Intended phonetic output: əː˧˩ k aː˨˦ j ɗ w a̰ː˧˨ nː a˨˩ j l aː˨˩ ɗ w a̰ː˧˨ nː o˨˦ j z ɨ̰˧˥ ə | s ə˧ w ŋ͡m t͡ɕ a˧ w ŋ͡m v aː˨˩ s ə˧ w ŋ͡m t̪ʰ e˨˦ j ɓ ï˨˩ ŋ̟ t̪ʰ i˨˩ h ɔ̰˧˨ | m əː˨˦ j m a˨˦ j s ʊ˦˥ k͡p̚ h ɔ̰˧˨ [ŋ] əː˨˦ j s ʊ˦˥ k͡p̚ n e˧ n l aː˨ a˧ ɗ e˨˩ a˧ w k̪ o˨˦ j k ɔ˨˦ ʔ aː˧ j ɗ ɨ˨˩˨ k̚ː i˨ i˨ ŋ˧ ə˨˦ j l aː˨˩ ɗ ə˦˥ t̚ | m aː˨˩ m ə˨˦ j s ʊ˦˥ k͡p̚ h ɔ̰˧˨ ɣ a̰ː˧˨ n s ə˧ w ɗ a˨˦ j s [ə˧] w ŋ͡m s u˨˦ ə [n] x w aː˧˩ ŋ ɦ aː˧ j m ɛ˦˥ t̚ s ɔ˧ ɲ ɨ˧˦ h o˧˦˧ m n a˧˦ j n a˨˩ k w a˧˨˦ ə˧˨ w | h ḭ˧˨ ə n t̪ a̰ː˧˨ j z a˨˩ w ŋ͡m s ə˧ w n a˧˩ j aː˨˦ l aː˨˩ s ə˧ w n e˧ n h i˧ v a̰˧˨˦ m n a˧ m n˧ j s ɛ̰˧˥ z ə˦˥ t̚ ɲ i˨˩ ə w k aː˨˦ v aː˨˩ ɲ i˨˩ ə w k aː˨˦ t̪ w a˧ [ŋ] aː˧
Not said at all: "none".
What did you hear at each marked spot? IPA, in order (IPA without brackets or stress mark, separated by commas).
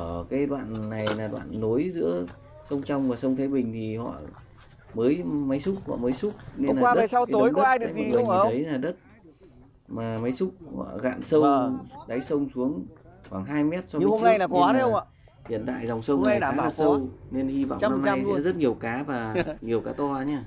m, ə˧, ŋ, ɲ